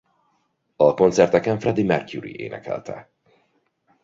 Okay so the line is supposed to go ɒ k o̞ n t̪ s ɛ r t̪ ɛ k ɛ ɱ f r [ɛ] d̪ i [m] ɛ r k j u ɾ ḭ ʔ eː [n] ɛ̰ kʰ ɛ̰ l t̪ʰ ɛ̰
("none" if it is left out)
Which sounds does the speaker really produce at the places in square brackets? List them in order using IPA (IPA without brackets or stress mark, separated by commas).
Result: ɛ, m, n